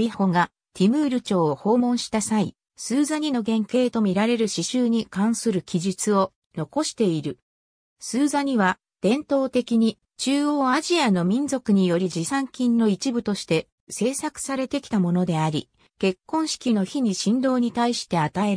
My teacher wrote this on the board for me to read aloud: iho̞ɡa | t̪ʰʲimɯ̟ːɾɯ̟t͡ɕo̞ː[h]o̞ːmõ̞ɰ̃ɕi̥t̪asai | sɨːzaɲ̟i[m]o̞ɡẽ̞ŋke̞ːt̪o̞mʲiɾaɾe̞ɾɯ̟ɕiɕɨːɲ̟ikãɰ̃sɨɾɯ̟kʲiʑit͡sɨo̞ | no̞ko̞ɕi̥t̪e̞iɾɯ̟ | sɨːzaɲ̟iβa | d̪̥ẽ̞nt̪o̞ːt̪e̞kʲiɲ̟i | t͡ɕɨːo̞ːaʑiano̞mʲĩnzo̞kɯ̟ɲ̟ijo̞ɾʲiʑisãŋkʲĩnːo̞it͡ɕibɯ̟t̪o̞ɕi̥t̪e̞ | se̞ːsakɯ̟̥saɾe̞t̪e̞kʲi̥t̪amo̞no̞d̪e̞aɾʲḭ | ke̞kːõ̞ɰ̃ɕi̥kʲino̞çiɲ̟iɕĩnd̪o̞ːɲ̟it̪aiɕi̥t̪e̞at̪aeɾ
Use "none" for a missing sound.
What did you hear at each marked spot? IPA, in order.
h, n

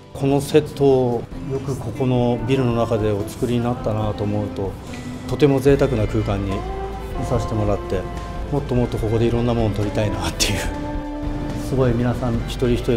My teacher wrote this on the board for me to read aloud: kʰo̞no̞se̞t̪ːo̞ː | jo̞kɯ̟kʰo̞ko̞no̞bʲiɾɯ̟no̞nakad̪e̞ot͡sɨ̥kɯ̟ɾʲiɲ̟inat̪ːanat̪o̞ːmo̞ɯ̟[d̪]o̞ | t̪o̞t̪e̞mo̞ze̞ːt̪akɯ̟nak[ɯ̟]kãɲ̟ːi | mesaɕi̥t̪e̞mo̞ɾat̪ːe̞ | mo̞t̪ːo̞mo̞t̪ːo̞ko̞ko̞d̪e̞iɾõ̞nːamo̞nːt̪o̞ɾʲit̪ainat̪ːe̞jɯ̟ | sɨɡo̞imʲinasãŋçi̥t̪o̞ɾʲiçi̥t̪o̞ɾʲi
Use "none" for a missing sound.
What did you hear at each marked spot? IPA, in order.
t̪, ɯ̟ː

